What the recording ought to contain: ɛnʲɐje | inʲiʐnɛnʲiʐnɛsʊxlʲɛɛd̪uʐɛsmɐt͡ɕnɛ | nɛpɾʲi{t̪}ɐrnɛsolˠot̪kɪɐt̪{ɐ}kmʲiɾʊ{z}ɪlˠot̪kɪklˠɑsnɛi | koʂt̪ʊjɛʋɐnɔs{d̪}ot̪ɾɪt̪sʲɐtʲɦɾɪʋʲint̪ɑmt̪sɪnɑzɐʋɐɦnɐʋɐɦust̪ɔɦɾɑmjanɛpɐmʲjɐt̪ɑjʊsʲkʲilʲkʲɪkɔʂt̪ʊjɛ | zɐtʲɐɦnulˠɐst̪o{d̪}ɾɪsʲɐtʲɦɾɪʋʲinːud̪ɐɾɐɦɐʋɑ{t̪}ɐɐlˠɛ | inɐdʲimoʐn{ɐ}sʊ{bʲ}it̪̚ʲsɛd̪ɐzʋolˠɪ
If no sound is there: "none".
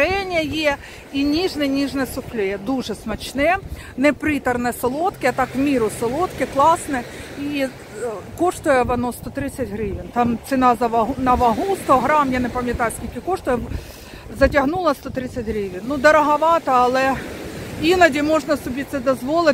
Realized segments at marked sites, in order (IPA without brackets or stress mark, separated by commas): t̪, ɑ, s, t̪, t̪, t̪, ɐ, bʲ